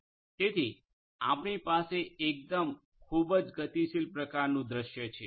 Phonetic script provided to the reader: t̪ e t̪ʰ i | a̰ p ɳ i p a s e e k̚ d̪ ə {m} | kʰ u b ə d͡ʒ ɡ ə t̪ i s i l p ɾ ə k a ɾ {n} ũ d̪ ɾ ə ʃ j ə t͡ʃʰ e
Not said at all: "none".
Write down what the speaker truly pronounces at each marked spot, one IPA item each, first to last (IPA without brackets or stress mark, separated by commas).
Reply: m, n